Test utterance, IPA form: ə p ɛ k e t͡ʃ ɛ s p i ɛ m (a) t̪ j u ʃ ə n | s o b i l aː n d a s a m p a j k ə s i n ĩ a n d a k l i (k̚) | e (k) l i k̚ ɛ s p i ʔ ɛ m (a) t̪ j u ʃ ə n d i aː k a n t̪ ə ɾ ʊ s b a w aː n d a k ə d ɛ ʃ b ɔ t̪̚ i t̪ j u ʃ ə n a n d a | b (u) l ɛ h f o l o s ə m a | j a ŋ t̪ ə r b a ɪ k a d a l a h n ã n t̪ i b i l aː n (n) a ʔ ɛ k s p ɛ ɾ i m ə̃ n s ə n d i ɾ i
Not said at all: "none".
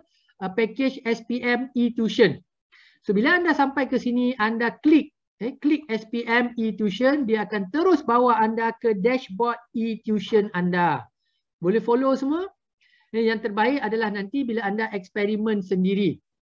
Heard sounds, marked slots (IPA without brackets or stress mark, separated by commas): i, k̚, k, i, o, d